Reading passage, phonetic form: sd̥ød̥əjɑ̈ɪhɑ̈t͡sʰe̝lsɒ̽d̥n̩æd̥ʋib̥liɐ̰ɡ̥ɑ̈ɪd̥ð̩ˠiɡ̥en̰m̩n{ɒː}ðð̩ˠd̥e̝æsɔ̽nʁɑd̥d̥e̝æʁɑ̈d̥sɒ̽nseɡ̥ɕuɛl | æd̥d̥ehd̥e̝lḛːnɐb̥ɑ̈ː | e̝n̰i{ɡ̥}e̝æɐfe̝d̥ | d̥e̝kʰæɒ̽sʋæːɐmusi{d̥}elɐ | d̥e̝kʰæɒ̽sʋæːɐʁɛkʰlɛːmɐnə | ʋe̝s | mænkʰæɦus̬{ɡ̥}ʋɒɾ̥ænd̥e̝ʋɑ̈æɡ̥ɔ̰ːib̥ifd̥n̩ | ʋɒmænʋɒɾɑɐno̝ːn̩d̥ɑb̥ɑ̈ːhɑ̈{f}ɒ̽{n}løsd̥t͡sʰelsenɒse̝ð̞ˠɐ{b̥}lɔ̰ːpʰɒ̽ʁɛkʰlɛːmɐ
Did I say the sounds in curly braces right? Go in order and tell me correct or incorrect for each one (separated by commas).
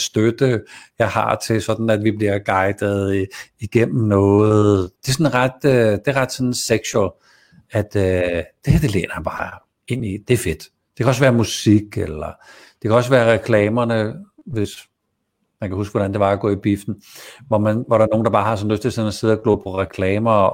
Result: incorrect, incorrect, incorrect, correct, incorrect, correct, incorrect